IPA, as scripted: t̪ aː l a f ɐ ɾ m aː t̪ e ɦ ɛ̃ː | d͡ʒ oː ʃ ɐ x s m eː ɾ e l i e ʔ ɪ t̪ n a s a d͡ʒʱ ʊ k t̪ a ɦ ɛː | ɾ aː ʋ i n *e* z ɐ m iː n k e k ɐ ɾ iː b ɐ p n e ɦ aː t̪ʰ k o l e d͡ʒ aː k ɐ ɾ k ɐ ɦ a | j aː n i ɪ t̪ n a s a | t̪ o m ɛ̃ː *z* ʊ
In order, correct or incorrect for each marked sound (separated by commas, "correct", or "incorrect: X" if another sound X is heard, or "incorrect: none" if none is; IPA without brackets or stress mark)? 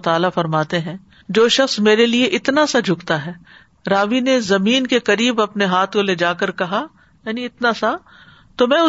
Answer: correct, incorrect: none